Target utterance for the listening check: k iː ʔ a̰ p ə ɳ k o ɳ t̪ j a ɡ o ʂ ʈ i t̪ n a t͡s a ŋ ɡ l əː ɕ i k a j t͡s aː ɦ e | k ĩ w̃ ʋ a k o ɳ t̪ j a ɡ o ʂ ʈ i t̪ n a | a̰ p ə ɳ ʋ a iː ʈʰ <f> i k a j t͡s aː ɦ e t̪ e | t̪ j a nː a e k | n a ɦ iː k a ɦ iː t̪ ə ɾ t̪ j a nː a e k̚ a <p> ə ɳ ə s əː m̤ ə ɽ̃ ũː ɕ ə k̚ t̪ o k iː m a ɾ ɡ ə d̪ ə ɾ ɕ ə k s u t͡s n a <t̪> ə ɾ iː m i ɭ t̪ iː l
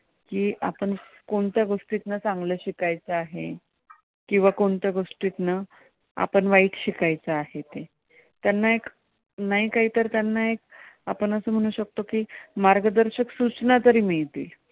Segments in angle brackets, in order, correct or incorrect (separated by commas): incorrect, correct, correct